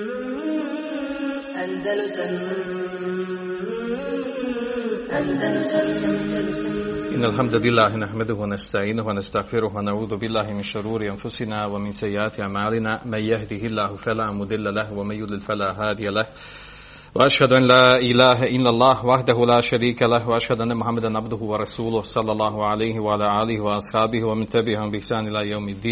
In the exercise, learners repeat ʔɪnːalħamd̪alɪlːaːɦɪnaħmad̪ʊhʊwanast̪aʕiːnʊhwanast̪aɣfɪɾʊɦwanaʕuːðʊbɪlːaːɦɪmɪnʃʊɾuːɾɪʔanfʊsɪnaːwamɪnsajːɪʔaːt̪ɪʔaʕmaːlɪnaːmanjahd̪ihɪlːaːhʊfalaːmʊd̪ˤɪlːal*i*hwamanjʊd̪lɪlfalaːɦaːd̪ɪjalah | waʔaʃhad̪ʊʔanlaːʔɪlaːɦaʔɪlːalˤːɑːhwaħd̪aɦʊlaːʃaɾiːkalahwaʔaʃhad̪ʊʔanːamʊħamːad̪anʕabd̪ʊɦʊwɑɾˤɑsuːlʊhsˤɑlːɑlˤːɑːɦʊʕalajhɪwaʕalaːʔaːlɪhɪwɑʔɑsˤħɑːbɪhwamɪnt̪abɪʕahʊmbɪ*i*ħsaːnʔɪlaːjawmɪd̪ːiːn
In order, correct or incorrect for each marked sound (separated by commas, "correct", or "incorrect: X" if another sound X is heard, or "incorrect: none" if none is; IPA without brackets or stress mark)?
incorrect: a, incorrect: ɪ